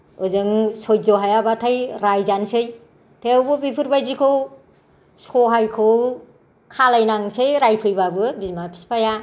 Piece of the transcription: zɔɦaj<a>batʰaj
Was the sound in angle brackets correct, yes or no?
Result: yes